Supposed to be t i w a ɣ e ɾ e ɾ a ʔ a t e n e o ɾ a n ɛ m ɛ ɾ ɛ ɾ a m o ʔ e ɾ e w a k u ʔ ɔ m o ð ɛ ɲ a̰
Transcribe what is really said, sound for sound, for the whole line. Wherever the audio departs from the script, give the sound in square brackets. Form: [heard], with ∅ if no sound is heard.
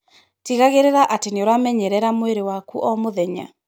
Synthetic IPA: t i [ɣ] a ɣ e ɾ e ɾ a ʔ a t e n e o ɾ a [m] ɛ [ɲ] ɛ ɾ ɛ ɾ a m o [∅] e ɾ e w a k u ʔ ɔ m o ð ɛ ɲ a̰